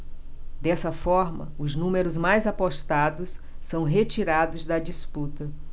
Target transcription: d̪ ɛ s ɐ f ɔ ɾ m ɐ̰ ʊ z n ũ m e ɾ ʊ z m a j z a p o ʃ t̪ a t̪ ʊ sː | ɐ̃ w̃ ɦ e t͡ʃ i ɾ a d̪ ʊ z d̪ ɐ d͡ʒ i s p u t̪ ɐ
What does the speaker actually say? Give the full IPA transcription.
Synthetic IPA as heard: d̪ ɛ s ɐ f ɔ ɾ m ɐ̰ ʊ z n ũ m e ɾ ʊ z m a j z a p o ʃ t̪ a d̪ ʊ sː | ɐ̃ w̃ ɦ e t͡ʃ i ɾ a d̪ ʊ z d̪ ɐ d͡ʒ i s p u t̪ ɐ